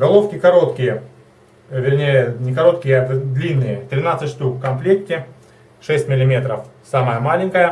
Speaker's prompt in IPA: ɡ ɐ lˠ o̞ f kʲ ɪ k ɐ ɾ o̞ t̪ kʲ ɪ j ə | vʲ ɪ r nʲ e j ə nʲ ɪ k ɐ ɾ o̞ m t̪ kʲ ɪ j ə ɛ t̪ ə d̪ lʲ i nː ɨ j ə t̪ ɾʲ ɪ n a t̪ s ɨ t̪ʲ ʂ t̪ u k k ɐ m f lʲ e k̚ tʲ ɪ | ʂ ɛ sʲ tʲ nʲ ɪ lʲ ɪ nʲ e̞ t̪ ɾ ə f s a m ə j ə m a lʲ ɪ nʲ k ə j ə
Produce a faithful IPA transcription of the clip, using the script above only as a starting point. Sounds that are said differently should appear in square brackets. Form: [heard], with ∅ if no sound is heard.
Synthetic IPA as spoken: ɡ ɐ lˠ o̞ f kʲ ɪ k ɐ ɾ o̞ t̪ kʲ ɪ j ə | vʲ ɪ r nʲ e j ə nʲ ɪ k ɐ ɾ o̞ [∅] t̪ kʲ ɪ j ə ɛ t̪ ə d̪ lʲ i nː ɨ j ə t̪ ɾʲ ɪ n a t̪ s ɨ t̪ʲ ʂ t̪ u k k ɐ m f lʲ e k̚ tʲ ɪ | ʂ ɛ sʲ tʲ [mʲ] ɪ lʲ ɪ [mʲ] e̞ t̪ ɾ ə f s a m ə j ə m a lʲ ɪ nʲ k ə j ə